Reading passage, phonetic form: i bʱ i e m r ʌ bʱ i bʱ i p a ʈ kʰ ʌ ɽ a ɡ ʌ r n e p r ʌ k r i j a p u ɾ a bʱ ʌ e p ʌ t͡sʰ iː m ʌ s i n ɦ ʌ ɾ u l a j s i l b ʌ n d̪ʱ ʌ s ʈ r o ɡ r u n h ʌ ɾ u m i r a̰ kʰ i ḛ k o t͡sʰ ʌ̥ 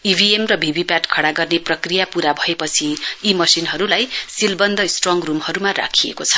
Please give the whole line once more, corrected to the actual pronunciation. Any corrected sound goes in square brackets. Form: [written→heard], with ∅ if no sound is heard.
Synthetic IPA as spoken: i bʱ i e m r ʌ bʱ i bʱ i p a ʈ kʰ ʌ ɽ a ɡ ʌ r n e p r ʌ k r i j a p u ɾ a bʱ ʌ e p ʌ t͡sʰ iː m ʌ s i n ɦ ʌ ɾ u l a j s i l b ʌ n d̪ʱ ʌ s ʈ r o [ɡ→ŋ] r u [n→m] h ʌ ɾ u m [i→a] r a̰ kʰ i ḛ k o t͡sʰ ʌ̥